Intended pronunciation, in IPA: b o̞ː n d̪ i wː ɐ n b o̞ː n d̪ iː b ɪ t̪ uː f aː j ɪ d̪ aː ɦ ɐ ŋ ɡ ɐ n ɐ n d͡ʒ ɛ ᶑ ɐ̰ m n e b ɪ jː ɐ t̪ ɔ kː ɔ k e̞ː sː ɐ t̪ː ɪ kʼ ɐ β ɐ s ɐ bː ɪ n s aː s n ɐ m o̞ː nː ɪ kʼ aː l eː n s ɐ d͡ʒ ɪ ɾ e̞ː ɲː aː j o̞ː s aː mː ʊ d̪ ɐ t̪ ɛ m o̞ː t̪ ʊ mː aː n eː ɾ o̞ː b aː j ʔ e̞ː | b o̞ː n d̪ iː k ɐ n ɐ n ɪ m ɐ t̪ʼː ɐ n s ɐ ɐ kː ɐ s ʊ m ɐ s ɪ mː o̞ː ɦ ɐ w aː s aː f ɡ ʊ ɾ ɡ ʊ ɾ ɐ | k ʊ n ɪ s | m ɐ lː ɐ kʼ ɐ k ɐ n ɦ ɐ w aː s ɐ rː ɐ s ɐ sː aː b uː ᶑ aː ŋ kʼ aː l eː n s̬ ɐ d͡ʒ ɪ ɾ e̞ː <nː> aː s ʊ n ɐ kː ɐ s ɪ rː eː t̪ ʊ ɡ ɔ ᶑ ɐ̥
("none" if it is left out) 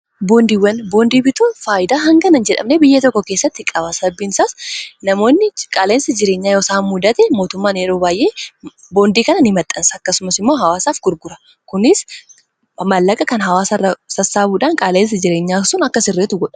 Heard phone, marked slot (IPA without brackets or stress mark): ɲː